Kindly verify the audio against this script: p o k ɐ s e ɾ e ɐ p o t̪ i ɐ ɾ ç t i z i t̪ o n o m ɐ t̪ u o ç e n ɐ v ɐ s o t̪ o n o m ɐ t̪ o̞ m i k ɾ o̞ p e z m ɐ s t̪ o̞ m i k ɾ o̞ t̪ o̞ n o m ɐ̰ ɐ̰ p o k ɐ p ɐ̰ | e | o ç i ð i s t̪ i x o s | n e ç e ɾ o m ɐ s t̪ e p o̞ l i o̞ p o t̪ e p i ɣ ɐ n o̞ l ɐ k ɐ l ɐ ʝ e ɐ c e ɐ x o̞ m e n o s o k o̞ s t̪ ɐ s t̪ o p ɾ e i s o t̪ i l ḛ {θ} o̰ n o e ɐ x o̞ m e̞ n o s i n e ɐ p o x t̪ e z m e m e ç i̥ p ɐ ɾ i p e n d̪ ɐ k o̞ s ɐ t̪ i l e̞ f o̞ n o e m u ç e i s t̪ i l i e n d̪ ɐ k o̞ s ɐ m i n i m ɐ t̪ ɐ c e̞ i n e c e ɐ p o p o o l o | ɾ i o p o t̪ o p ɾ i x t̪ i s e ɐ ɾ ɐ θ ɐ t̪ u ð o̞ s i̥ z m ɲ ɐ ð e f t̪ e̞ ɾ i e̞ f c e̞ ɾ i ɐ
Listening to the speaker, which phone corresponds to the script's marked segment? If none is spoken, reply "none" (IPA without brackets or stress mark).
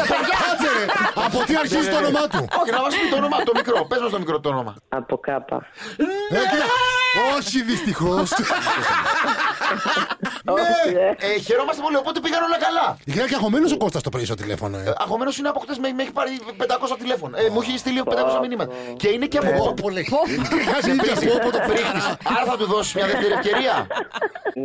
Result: f